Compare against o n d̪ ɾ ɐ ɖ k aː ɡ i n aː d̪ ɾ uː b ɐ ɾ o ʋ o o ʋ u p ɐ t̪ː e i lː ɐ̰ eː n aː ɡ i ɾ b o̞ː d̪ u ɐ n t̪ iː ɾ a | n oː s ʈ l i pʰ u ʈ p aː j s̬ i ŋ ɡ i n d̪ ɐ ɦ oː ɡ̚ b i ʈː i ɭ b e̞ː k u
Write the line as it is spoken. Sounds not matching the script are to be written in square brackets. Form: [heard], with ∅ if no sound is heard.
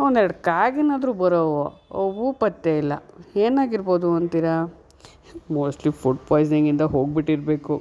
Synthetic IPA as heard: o n d̪ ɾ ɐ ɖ k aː ɡ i n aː d̪ ɾ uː b ɐ ɾ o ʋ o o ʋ u p ɐ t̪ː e i lː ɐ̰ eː n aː ɡ i ɾ b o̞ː d̪ u ɐ n t̪ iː ɾ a | [m] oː s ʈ l i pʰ u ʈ p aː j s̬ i ŋ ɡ i n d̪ ɐ ɦ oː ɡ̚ b i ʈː i [ɾ] b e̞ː k u